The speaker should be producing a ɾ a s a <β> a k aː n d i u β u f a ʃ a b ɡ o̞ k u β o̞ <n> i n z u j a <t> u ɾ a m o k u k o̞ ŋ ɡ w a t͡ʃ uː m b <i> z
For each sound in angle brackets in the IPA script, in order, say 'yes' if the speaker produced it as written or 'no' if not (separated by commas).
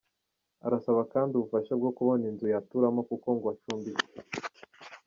yes, yes, yes, yes